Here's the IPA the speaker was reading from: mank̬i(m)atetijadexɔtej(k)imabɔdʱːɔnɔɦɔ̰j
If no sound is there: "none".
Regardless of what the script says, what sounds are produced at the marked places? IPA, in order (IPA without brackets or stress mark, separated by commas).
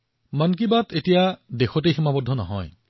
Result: b, x